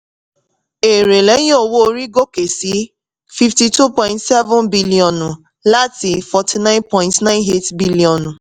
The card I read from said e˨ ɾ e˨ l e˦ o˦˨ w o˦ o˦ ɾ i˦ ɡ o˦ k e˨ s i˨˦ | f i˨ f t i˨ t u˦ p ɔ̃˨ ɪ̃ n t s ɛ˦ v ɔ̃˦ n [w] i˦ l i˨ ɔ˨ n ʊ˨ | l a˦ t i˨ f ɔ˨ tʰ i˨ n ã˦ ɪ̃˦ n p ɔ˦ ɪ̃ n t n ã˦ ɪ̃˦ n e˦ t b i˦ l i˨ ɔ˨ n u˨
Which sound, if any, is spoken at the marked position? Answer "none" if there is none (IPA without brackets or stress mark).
b